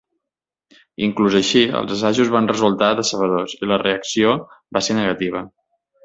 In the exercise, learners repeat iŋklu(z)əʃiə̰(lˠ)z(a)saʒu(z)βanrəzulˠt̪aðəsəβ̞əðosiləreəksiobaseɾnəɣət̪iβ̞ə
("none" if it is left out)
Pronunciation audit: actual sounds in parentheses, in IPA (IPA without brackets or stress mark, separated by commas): z, lˠ, ə, z